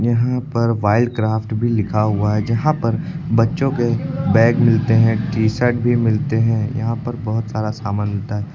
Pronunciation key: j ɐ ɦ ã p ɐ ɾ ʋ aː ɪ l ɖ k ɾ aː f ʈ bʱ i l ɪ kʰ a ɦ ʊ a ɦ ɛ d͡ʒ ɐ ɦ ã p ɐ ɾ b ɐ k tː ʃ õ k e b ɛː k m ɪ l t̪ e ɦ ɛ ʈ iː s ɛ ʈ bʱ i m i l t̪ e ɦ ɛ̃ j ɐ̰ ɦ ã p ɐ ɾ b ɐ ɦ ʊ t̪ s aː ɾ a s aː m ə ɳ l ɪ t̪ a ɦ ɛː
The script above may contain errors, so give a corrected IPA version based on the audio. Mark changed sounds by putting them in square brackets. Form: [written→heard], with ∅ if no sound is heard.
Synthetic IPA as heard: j ɐ ɦ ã p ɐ ɾ ʋ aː ɪ l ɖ k ɾ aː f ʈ bʱ i l ɪ kʰ a ɦ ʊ a ɦ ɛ d͡ʒ ɐ ɦ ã p ɐ ɾ b ɐ [k→∅] tː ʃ õ k e b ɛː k m ɪ l t̪ e ɦ [ɛ→ɛ̃] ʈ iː s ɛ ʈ bʱ i m [i→ɪ] l t̪ e ɦ ɛ̃ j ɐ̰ ɦ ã p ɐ ɾ b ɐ ɦ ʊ t̪ s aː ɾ a s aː m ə [ɳ→n] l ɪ t̪ a ɦ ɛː